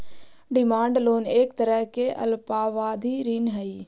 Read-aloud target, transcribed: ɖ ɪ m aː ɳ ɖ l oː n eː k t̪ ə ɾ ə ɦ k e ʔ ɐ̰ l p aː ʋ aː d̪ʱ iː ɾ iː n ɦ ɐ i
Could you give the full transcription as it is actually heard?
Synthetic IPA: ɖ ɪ m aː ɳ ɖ l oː n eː k t̪ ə ɾ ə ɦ k e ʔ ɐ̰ l p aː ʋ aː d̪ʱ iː ɾ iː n ɦ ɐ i